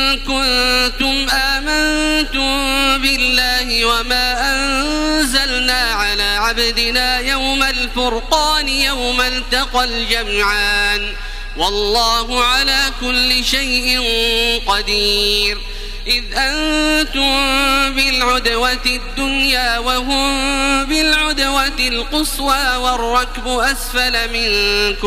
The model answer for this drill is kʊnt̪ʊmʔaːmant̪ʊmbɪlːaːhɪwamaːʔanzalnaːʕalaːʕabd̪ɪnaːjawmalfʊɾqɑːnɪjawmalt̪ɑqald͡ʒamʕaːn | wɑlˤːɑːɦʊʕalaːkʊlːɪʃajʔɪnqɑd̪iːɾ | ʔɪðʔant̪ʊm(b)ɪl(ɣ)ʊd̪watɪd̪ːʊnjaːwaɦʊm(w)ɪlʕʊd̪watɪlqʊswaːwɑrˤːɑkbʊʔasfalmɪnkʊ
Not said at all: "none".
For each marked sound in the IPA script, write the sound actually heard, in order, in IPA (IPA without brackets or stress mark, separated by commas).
b, ʕ, b